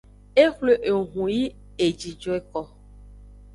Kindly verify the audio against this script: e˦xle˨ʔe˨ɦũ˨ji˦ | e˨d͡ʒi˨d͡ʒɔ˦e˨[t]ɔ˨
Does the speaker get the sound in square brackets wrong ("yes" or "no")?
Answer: yes